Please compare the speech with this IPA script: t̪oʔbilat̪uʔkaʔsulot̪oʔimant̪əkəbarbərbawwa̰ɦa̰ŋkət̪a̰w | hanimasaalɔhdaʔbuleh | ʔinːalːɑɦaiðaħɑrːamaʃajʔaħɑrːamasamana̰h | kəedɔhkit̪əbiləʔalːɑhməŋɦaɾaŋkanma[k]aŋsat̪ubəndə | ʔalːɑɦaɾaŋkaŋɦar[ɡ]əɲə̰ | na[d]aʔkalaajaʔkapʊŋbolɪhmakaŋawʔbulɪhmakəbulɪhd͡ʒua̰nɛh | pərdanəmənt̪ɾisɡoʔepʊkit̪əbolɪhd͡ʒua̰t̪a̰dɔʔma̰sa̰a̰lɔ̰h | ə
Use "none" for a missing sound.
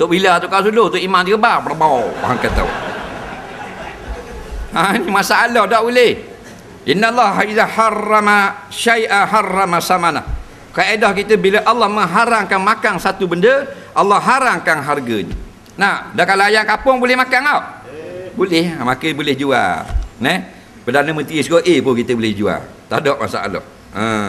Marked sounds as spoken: k, ɡ, d

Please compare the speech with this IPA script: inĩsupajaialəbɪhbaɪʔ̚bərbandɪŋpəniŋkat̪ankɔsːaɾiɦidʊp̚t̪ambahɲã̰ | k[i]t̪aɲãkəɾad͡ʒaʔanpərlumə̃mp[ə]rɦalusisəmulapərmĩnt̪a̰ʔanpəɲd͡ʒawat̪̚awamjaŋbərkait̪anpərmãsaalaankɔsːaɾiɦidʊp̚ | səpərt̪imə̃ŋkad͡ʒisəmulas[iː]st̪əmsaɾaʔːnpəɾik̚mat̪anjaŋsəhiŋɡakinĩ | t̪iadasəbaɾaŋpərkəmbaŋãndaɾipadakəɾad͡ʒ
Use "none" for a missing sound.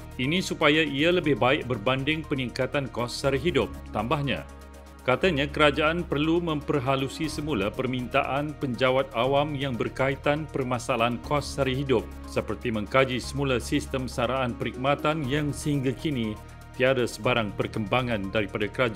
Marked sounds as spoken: a, ə, i

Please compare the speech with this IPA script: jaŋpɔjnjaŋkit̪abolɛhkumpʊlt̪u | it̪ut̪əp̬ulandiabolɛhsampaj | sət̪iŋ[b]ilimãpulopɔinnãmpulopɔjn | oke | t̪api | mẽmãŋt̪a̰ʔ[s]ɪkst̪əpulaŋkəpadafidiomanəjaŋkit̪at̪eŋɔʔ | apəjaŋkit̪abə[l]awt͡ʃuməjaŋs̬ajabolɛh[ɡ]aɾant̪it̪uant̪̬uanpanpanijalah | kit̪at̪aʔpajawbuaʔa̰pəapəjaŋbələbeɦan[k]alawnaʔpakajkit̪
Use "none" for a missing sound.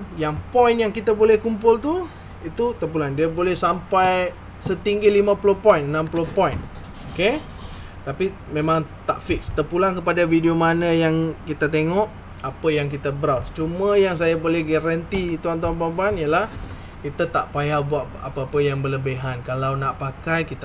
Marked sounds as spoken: ɡ, f, ɾ, ɡ, k

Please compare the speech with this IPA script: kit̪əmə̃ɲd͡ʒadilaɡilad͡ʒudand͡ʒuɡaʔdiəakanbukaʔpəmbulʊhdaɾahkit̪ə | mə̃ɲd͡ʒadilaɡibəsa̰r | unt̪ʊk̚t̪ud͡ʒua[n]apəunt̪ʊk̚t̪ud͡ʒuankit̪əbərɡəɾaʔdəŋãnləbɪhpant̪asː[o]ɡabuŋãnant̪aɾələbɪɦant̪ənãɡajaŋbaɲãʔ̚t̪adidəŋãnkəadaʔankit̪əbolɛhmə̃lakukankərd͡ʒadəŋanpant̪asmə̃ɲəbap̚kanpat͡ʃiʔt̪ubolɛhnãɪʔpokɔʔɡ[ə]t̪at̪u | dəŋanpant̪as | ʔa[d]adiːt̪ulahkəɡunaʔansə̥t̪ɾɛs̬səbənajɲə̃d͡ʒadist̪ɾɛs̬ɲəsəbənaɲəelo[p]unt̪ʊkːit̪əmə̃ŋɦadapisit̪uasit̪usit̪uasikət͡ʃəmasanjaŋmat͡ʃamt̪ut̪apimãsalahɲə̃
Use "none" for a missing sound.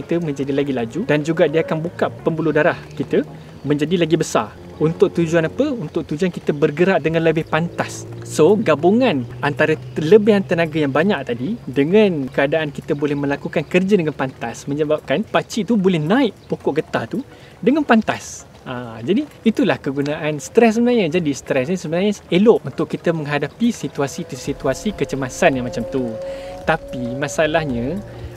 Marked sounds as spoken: n, o, ə, d͡ʒ, ʔ

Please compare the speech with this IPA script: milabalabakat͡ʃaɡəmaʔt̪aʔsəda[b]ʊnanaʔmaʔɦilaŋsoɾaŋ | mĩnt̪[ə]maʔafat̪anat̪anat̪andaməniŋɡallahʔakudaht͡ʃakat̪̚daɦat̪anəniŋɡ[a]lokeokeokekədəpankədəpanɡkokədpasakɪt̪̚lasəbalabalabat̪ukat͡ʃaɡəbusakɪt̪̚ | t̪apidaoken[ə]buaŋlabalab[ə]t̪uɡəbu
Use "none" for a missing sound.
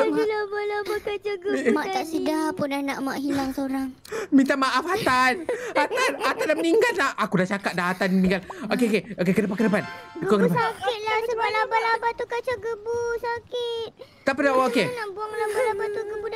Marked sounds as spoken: p, a, a, a, a

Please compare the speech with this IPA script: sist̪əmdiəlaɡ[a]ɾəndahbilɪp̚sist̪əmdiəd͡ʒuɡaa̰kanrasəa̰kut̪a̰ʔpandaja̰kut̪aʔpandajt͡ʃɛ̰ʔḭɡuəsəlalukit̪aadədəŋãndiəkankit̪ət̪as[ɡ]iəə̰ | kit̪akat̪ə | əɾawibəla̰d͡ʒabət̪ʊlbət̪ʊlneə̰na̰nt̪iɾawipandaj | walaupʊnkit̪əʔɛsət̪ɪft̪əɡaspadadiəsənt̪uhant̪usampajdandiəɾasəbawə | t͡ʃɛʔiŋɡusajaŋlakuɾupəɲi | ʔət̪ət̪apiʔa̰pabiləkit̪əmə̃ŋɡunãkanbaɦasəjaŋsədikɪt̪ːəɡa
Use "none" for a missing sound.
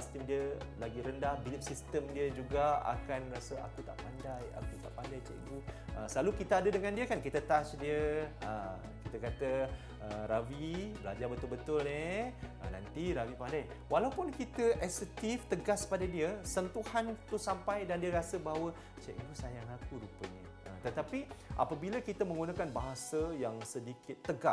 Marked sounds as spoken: i, d

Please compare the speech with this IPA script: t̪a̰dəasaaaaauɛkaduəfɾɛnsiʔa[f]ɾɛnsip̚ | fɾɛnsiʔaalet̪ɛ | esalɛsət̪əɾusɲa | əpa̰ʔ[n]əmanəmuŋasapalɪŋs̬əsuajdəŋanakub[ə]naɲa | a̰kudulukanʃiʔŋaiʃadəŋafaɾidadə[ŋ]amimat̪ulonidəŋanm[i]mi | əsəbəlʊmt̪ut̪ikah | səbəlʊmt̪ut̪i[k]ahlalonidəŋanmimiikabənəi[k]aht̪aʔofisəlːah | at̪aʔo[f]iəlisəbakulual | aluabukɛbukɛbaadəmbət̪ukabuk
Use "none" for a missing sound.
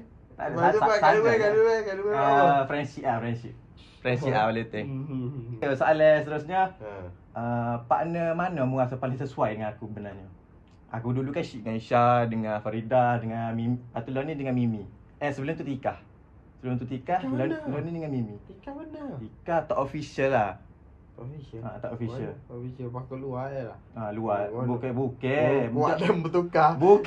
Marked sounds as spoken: f, n, ə, ŋ, i, k, k, f

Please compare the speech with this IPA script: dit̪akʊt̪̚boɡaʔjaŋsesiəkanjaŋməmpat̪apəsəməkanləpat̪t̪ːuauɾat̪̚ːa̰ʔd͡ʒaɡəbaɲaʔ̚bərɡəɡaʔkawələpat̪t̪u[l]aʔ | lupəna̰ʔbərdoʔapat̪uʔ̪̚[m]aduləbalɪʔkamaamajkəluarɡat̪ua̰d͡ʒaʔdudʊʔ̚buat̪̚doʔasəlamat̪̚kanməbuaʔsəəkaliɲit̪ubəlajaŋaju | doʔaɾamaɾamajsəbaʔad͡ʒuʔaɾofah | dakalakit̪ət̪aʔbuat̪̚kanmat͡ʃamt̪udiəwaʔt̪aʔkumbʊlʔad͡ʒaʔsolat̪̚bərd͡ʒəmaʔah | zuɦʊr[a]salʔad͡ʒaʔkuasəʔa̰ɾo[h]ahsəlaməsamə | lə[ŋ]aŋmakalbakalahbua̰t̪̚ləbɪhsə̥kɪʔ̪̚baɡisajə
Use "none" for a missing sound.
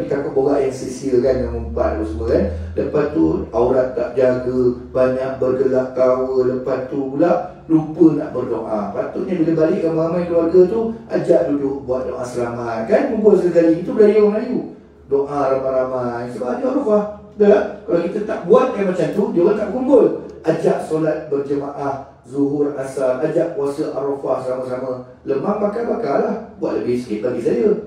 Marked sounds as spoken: l, ɲ, a, f, m

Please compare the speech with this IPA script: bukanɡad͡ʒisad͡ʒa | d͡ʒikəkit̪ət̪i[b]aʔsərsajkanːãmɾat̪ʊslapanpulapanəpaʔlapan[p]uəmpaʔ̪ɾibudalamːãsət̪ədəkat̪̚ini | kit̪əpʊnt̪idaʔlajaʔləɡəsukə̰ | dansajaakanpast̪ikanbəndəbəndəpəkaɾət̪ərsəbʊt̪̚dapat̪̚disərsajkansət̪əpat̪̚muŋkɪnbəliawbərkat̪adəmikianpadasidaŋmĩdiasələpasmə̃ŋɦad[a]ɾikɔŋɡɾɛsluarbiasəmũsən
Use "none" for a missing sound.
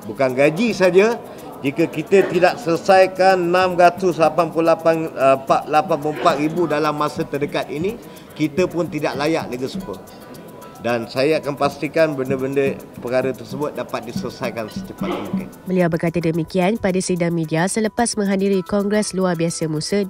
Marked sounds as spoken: d, p, i

